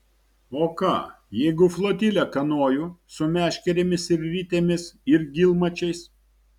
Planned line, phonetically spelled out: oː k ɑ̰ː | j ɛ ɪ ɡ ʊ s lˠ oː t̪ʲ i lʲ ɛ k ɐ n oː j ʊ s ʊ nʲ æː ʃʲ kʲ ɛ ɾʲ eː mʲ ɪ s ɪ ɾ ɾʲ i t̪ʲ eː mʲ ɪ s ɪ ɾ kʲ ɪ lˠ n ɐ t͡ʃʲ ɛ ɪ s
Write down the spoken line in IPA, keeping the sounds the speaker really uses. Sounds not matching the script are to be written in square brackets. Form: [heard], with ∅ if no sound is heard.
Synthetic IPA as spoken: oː k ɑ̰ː | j ɛ ɪ ɡ ʊ [f] lˠ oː t̪ʲ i lʲ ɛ k ɐ n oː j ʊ s ʊ [mʲ] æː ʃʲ kʲ ɛ ɾʲ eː mʲ ɪ s ɪ ɾ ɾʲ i t̪ʲ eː mʲ ɪ s ɪ ɾ [ɡʲ] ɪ lˠ [m] ɐ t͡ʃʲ ɛ ɪ s

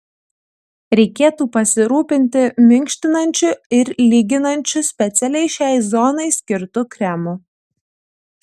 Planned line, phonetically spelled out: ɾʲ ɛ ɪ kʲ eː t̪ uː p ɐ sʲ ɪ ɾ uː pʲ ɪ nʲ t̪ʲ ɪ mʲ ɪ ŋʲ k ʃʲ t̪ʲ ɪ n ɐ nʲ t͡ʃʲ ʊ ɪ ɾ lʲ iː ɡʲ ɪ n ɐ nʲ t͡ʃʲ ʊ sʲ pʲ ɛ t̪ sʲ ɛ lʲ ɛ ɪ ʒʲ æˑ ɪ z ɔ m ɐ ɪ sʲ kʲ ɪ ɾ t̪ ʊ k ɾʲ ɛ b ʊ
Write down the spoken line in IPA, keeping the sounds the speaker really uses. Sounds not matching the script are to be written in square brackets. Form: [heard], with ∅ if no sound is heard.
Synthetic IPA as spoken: ɾʲ ɛ ɪ kʲ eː t̪ uː p ɐ sʲ ɪ ɾ uː pʲ ɪ nʲ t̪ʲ ɪ mʲ ɪ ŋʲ k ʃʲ t̪ʲ ɪ n ɐ nʲ t͡ʃʲ ʊ ɪ ɾ lʲ iː ɡʲ ɪ n ɐ nʲ t͡ʃʲ ʊ sʲ pʲ ɛ t̪ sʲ ɛ lʲ ɛ ɪ [ʃʲ] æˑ ɪ z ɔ [n] ɐ ɪ sʲ kʲ ɪ ɾ t̪ ʊ k ɾʲ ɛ [m] ʊ

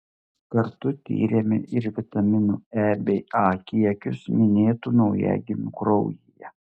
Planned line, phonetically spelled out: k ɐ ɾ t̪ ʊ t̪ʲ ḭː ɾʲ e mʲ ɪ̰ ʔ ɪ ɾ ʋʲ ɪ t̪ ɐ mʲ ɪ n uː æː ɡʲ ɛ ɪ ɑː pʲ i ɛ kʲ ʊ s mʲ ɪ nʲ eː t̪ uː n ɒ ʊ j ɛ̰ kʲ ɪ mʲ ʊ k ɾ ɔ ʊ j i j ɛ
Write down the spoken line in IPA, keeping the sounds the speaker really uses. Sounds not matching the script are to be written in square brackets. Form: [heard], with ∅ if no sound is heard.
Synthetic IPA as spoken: k ɐ ɾ t̪ ʊ t̪ʲ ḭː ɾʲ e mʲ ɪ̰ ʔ ɪ ɾ ʋʲ ɪ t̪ ɐ mʲ ɪ n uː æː [bʲ] ɛ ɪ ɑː [kʲ] i ɛ kʲ ʊ s mʲ ɪ nʲ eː t̪ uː n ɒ ʊ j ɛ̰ [ɡʲ] ɪ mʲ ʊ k ɾ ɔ ʊ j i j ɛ

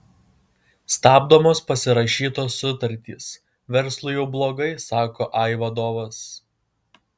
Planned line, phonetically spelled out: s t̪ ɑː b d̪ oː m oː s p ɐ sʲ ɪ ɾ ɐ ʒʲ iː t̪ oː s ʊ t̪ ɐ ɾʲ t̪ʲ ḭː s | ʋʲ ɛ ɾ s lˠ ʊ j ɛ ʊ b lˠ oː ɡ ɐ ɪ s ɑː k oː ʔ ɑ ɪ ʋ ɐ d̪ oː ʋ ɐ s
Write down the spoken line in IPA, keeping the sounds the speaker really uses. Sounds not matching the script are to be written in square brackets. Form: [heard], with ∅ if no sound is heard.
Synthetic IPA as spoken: s t̪ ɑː b d̪ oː m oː s p ɐ sʲ ɪ ɾ ɐ [ʃʲ] iː t̪ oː s ʊ t̪ ɐ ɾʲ t̪ʲ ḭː s | ʋʲ ɛ ɾ s lˠ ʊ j ɛ ʊ b lˠ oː ɡ ɐ ɪ s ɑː k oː ʔ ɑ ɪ ʋ ɐ d̪ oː ʋ ɐ s

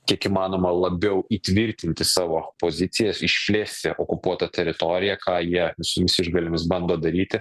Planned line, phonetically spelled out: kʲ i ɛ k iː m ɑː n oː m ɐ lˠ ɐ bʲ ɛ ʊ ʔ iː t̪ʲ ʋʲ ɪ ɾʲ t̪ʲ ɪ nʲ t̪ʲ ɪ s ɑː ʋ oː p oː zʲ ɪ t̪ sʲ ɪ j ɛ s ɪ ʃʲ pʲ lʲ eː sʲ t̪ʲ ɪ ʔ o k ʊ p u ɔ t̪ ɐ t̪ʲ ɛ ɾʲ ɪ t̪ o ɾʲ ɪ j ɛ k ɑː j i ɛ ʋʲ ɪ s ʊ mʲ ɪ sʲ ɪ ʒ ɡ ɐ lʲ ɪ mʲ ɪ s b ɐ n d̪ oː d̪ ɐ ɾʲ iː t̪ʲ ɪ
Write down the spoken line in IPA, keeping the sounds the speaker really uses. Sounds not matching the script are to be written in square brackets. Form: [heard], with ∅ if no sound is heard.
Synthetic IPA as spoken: kʲ i ɛ k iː m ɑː n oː m ɐ lˠ ɐ bʲ ɛ ʊ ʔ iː t̪ʲ ʋʲ ɪ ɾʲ t̪ʲ ɪ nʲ t̪ʲ ɪ s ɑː ʋ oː p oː zʲ ɪ t̪ sʲ ɪ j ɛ s ɪ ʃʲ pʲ lʲ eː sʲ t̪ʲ ɪ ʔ o k ʊ p u ɔ t̪ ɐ t̪ʲ ɛ ɾʲ ɪ t̪ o ɾʲ ɪ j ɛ k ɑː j i ɛ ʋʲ ɪ s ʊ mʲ ɪ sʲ ɪ ʒ ɡ ɐ lʲ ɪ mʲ ɪ s b ɐ n d̪ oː d̪ ɐ ɾʲ iː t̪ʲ ɪ

